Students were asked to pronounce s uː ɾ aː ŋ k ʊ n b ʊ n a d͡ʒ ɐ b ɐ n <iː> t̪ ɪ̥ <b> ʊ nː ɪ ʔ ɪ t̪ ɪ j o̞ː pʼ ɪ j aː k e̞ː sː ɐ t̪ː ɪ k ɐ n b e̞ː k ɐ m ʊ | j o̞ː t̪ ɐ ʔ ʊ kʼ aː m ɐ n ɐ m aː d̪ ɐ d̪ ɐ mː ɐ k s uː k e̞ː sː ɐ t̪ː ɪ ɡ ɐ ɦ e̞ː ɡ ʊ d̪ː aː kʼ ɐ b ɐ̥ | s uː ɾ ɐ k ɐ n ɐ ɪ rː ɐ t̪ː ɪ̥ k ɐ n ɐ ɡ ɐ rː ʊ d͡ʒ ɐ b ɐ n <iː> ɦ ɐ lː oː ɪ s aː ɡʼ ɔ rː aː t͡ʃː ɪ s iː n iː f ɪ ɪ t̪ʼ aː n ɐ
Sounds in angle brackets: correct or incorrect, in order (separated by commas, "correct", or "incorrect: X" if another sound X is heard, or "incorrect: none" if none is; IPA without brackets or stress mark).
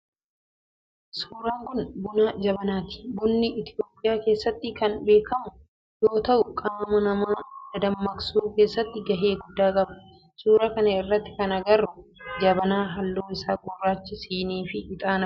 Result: incorrect: aː, correct, incorrect: aː